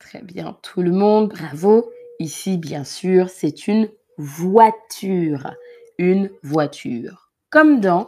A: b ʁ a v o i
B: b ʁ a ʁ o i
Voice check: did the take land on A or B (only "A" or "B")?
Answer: A